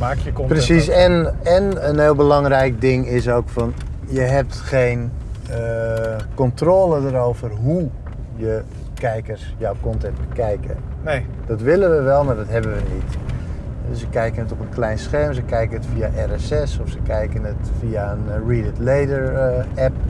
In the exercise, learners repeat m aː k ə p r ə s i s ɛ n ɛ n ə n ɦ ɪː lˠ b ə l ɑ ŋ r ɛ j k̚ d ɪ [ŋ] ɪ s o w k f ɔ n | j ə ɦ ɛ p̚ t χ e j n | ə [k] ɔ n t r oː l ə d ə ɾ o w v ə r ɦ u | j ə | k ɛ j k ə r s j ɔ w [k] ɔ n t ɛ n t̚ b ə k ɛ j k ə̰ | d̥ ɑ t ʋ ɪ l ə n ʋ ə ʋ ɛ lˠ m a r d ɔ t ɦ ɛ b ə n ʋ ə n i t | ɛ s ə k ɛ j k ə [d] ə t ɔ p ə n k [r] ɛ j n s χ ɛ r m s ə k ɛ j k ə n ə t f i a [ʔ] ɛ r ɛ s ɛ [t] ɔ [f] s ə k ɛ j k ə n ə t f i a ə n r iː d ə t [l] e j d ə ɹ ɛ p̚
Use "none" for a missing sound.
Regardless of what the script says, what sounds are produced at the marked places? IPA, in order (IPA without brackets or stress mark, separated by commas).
ŋ, k, k, n, l, ʔ, s, f, l